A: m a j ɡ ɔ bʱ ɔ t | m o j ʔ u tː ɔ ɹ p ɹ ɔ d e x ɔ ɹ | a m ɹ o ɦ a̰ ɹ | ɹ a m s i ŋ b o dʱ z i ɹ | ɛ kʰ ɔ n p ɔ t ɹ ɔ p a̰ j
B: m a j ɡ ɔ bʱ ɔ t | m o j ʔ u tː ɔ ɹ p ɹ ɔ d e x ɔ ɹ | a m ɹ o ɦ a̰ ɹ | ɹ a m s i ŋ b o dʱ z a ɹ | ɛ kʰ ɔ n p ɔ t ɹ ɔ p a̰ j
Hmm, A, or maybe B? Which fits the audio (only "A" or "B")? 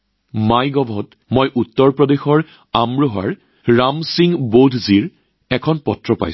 A